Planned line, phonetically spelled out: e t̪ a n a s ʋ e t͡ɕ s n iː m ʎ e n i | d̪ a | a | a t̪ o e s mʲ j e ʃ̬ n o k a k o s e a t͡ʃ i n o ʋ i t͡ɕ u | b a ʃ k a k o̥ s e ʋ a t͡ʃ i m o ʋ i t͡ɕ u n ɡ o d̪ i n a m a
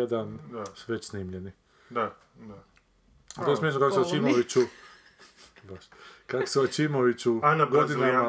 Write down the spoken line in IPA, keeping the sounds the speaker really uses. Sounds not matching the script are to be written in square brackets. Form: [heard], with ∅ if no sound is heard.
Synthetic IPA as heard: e [d̪] a n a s ʋ e t͡ɕ s n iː m ʎ e n i | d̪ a | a | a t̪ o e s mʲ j e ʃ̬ n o k a k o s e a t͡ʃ i [m] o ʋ i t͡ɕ u | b a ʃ k a k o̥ s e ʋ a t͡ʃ i m o ʋ i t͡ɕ u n ɡ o d̪ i n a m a